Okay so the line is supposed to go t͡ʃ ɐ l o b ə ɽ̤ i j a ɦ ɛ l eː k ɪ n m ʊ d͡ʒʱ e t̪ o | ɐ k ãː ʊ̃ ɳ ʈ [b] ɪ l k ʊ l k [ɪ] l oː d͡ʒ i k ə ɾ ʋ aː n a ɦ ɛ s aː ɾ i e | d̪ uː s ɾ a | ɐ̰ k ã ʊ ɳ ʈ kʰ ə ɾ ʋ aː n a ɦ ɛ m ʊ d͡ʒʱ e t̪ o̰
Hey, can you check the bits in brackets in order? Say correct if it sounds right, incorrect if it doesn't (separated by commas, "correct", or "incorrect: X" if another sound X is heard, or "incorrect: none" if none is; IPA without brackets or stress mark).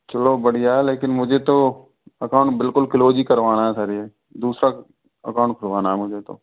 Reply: correct, correct